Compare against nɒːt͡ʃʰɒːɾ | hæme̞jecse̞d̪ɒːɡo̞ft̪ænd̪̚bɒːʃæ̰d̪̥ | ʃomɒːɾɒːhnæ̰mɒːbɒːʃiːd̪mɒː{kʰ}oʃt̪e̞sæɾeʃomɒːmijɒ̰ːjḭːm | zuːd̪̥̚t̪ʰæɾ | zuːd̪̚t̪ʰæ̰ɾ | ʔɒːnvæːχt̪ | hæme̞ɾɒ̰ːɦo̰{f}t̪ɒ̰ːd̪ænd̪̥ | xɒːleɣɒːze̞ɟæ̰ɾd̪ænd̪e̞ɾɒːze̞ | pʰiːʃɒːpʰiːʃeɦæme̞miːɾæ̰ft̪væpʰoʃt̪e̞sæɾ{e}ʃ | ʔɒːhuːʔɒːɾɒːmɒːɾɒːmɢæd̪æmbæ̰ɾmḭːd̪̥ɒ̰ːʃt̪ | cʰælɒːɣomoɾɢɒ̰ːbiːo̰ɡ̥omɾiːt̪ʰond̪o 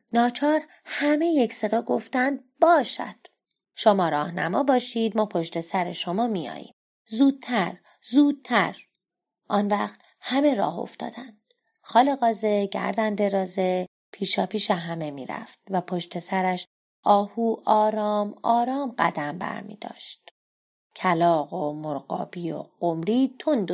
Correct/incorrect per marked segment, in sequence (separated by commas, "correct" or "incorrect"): incorrect, correct, incorrect